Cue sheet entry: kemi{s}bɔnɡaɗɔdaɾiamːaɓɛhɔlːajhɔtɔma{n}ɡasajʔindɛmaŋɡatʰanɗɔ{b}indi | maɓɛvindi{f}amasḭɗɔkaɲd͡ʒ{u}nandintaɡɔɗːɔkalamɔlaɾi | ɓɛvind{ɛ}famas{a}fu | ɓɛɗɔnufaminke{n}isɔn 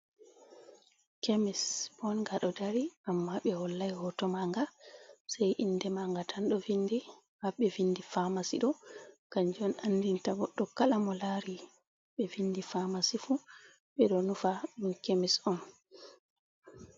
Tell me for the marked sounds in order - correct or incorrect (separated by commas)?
correct, incorrect, incorrect, correct, incorrect, incorrect, incorrect, incorrect